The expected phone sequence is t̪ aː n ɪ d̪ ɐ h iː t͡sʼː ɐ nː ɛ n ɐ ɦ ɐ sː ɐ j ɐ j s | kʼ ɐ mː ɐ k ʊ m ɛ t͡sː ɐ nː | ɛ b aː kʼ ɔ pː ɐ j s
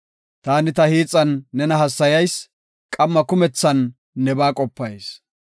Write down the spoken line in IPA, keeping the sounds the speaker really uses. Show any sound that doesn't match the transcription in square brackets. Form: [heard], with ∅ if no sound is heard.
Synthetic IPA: t̪ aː n ɪ [t̪] ɐ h iː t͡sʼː ɐ nː ɛ n ɐ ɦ ɐ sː ɐ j ɐ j s | kʼ ɐ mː ɐ k ʊ m ɛ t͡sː ɐ nː | ɛ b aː kʼ ɔ pː ɐ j s